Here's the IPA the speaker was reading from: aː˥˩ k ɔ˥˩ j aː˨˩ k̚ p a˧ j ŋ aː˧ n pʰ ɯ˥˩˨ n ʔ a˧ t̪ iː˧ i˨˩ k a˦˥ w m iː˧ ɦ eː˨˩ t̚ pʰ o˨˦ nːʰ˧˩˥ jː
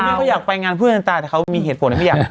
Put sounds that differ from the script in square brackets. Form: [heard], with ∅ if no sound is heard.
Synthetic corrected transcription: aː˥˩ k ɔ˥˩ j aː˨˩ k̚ p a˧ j ŋ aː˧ n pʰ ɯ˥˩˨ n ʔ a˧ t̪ [aː˧] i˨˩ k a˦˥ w m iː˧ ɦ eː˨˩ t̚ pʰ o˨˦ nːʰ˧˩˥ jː